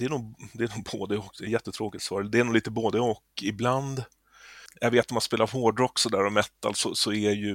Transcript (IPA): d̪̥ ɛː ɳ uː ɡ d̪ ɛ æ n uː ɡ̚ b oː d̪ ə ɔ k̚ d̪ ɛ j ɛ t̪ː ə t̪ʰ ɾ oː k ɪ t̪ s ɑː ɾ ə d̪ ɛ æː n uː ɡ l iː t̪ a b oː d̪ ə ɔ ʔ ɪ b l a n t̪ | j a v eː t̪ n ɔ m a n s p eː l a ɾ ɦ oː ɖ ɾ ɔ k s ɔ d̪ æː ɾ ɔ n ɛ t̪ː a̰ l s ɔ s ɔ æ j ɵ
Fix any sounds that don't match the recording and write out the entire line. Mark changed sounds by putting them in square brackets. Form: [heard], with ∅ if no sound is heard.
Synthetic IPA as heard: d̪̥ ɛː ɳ uː ɡ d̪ ɛ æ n uː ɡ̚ b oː d̪ ə ɔ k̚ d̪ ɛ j ɛ t̪ː ə t̪ʰ ɾ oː k ɪ t̪ s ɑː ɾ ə d̪ ɛ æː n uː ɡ l iː t̪ [ə] b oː d̪ ə ɔ [k] ɪ b l a n [d̪] | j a v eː t̪ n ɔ m a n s p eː l a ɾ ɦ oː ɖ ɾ ɔ k s ɔ d̪ æː ɾ ɔ [m] ɛ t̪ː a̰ l s ɔ s ɔ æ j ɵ